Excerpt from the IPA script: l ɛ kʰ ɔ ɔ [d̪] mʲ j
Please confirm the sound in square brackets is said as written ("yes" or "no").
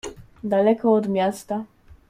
yes